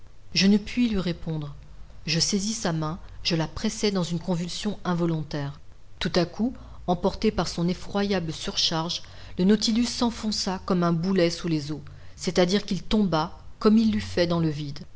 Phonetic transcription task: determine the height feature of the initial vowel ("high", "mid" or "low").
mid